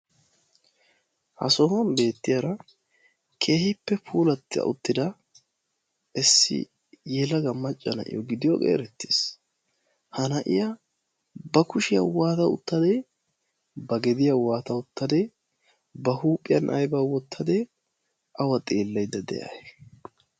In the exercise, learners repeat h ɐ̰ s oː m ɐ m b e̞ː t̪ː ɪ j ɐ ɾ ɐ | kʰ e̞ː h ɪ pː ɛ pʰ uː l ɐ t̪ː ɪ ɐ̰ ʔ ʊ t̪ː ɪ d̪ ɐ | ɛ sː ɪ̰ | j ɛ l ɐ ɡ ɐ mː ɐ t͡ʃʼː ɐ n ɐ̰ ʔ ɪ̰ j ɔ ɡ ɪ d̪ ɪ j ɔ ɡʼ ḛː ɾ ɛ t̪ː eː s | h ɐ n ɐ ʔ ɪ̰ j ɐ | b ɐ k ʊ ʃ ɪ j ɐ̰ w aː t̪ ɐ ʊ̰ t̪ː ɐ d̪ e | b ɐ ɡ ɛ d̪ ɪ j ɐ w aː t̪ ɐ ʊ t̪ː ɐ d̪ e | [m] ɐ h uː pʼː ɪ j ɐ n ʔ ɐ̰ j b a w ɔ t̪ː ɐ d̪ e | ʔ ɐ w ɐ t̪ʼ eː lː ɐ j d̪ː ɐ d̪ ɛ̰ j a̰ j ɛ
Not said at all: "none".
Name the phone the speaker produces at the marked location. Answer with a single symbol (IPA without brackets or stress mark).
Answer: b